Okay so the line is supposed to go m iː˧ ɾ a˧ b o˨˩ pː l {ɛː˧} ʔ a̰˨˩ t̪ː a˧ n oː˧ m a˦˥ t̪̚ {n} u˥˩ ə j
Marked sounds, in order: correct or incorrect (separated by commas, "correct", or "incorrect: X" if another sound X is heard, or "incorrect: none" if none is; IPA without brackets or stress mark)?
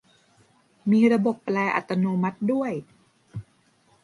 correct, incorrect: d